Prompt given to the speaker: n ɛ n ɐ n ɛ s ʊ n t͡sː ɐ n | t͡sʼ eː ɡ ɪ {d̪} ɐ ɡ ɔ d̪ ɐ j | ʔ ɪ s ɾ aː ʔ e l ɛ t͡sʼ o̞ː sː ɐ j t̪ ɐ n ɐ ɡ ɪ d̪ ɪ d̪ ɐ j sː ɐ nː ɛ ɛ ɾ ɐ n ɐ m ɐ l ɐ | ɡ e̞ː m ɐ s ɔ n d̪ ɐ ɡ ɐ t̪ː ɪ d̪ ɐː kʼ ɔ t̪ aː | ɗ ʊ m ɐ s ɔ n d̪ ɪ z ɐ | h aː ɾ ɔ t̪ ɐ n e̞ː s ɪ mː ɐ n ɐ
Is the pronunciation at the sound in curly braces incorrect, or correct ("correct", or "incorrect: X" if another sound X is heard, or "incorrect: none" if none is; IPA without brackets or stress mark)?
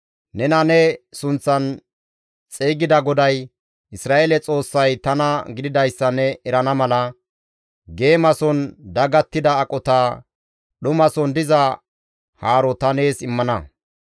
correct